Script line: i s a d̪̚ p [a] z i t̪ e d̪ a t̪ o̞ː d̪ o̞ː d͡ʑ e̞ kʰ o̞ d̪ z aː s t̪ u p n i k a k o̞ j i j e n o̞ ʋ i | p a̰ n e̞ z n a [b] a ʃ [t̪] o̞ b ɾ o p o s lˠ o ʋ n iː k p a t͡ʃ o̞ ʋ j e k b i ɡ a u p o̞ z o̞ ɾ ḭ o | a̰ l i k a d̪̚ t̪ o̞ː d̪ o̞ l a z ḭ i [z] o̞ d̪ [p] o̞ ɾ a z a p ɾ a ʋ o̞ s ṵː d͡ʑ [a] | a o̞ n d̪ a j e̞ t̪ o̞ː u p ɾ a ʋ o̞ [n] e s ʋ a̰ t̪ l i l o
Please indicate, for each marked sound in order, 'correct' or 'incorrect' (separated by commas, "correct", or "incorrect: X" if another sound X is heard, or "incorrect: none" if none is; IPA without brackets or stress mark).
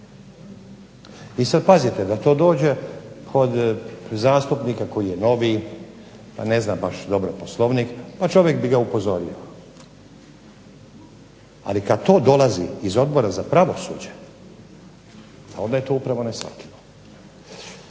correct, correct, incorrect: d̪, correct, incorrect: b, incorrect: e, correct